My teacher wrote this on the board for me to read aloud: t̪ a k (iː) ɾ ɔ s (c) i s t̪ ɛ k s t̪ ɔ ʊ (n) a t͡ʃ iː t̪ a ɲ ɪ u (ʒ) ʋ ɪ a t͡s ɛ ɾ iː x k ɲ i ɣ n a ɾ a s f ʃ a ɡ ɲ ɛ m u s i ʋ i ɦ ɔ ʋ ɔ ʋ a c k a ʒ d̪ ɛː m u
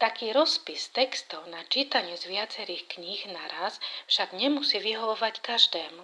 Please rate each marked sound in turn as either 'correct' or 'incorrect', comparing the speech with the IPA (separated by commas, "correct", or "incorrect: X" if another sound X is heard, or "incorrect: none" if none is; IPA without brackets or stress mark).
correct, incorrect: p, correct, incorrect: z